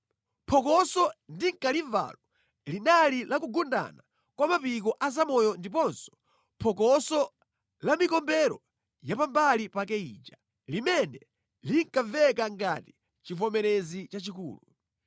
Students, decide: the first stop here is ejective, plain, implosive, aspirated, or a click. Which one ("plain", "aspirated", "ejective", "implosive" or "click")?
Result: aspirated